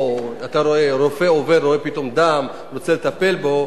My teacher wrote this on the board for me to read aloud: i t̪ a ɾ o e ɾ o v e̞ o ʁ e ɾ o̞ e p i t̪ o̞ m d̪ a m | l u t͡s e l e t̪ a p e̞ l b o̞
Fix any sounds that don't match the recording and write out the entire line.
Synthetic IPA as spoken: a t̪ a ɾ o e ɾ o f e̞ o v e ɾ o̞ e p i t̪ o̞ m d̪ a m | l o t͡s e l e t̪ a p e̞ l b o̞